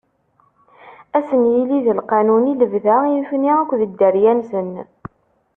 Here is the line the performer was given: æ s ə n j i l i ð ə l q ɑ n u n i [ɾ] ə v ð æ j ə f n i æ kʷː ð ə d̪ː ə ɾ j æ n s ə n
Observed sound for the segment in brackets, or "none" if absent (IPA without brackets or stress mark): l